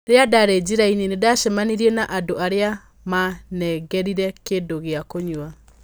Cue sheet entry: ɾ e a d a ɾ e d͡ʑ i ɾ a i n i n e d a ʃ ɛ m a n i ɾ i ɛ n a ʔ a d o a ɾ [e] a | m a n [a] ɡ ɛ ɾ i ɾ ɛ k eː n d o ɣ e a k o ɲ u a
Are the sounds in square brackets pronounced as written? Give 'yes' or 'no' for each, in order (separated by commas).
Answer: yes, no